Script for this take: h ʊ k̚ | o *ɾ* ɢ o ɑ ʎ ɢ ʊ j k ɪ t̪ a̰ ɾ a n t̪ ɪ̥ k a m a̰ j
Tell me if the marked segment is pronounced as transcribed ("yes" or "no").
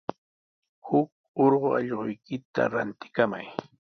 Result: yes